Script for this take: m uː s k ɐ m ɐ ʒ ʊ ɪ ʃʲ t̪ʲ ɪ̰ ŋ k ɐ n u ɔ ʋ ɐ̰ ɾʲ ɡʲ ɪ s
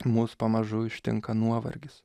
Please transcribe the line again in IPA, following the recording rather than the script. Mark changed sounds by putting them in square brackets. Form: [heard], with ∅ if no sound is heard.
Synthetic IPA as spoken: m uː s [p] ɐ m ɐ ʒ ʊ ɪ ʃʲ t̪ʲ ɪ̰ ŋ k ɐ n u ɔ ʋ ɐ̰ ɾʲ ɡʲ ɪ s

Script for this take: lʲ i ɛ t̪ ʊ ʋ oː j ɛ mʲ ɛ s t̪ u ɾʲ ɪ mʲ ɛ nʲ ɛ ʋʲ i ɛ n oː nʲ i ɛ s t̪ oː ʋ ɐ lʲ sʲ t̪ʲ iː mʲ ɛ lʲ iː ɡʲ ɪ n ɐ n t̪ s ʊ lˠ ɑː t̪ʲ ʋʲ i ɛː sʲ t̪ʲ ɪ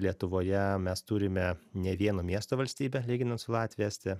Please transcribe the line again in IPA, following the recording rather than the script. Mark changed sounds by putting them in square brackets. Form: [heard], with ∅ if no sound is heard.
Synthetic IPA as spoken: lʲ i ɛ t̪ ʊ ʋ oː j ɛ mʲ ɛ s t̪ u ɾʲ ɪ mʲ ɛ nʲ ɛ ʋʲ i ɛ n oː [mʲ] i ɛ s t̪ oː ʋ ɐ lʲ sʲ t̪ʲ iː [bʲ] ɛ lʲ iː ɡʲ ɪ n ɐ n t̪ s ʊ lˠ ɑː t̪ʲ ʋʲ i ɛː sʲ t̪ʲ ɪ

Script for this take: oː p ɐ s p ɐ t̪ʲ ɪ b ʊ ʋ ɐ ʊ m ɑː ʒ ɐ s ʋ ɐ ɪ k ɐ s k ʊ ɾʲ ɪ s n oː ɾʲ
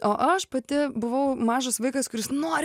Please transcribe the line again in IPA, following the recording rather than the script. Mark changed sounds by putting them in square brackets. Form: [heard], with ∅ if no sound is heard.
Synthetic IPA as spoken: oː [ʔ] ɐ [ʃ] p ɐ t̪ʲ ɪ b ʊ ʋ ɐ ʊ m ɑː ʒ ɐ s ʋ ɐ ɪ k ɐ s k ʊ ɾʲ ɪ s n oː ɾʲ

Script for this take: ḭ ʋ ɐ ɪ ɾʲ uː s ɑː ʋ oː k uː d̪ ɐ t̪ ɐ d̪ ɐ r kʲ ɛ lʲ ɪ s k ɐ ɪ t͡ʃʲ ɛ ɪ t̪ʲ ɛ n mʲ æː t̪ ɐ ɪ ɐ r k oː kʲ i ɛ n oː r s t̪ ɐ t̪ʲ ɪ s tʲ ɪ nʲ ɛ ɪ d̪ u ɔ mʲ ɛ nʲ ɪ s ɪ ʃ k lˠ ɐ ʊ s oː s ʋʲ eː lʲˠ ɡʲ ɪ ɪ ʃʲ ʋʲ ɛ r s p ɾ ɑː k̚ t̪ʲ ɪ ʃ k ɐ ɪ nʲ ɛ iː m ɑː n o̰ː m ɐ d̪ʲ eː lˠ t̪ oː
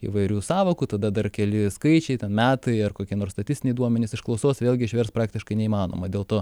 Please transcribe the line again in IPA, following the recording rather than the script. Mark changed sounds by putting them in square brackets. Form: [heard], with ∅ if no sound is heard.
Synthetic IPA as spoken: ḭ ʋ ɐ ɪ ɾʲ uː s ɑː ʋ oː k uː [t̪] ɐ [d̪] ɐ d̪ ɐ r kʲ ɛ lʲ ɪ s k ɐ ɪ t͡ʃʲ ɛ ɪ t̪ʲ ɛ n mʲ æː t̪ ɐ ɪ ɐ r k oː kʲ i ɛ n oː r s t̪ ɐ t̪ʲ ɪ s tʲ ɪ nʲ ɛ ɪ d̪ u ɔ mʲ ɛ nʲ ɪ s ɪ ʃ k lˠ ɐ ʊ s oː s ʋʲ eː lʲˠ ɡʲ ɪ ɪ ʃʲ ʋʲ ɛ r s p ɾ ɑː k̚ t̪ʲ ɪ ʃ k ɐ ɪ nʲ ɛ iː m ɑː n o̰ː m ɐ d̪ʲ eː lˠ t̪ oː

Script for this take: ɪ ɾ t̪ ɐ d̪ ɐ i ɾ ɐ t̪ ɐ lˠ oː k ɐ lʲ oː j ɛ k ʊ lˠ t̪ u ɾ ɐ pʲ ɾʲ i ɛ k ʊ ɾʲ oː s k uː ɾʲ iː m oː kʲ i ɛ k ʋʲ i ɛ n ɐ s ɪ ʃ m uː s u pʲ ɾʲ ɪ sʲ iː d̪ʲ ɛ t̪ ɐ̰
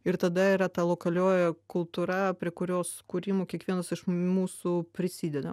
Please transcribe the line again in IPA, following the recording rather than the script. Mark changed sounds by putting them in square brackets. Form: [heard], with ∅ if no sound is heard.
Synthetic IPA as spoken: ɪ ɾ t̪ ɐ d̪ ɐ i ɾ ɐ t̪ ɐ lˠ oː k ɐ lʲ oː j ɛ k ʊ lˠ t̪ u ɾ ɐ pʲ ɾʲ i ɛ k ʊ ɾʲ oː s k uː ɾʲ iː m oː kʲ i ɛ k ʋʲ i ɛ n ɐ s ɪ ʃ m uː s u pʲ ɾʲ ɪ sʲ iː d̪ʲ ɛ [d̪] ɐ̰

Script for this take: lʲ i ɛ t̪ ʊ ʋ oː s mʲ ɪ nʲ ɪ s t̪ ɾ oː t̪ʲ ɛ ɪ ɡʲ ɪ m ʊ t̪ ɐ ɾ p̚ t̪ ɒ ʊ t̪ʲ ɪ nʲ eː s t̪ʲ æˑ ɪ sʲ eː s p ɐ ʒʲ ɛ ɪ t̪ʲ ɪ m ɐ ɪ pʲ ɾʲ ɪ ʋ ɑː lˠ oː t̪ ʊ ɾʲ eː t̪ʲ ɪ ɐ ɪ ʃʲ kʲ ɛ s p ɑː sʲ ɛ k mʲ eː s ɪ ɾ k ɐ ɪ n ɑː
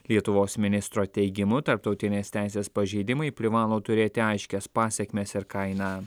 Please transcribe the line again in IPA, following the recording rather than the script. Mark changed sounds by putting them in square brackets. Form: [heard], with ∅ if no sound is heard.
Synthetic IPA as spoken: lʲ i ɛ t̪ ʊ ʋ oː s mʲ ɪ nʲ ɪ s t̪ ɾ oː t̪ʲ ɛ ɪ ɡʲ ɪ m ʊ t̪ ɐ ɾ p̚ t̪ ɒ ʊ t̪ʲ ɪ nʲ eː s t̪ʲ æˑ ɪ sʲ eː s p ɐ ʒʲ ɛ ɪ [d̪ʲ] ɪ m ɐ ɪ pʲ ɾʲ ɪ ʋ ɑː lˠ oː t̪ ʊ ɾʲ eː t̪ʲ ɪ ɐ ɪ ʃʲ kʲ ɛ s p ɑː sʲ ɛ k mʲ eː s ɪ ɾ k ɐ ɪ n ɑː

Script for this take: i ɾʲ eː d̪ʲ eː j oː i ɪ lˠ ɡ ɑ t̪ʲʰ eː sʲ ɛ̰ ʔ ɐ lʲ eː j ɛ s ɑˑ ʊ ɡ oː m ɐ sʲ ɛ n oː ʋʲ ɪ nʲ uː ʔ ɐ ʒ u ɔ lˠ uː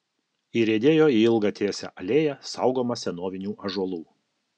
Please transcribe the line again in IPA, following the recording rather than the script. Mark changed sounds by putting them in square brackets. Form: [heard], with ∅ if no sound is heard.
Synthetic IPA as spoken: i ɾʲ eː d̪ʲ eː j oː i ɪ lˠ ɡ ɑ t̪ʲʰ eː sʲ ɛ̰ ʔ ɐ lʲ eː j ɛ s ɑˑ ʊ ɡ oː m ɐ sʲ ɛ n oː ʋʲ ɪ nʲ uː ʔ ɐ ʒ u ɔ lˠ uː

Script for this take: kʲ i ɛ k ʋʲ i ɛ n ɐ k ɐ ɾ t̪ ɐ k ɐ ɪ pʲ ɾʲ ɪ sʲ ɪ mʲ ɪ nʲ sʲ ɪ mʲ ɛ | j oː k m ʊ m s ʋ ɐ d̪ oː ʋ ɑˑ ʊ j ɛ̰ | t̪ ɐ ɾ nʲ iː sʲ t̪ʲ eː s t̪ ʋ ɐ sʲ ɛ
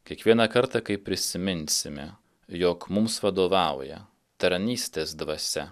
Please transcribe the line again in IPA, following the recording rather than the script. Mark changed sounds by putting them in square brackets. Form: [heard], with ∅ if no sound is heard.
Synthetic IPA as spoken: kʲ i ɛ k ʋʲ i ɛ n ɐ k ɐ ɾ t̪ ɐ k ɐ ɪ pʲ ɾʲ ɪ sʲ ɪ mʲ ɪ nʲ sʲ ɪ mʲ ɛ | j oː k m ʊ m s ʋ ɐ d̪ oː ʋ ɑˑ ʊ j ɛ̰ | t̪ ɐ ɾ nʲ iː sʲ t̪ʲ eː s [d̪] ʋ ɐ sʲ ɛ

